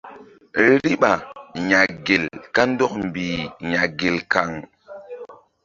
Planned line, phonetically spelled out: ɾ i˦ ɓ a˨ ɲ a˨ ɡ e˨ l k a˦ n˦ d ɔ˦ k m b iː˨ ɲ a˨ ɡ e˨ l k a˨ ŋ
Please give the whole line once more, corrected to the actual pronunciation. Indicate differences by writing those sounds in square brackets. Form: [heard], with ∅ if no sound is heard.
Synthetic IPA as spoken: ɾ i˦ ɓ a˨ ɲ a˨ ɡ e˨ l k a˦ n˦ d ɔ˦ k m b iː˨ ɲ a˨ ɡ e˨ l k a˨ ŋ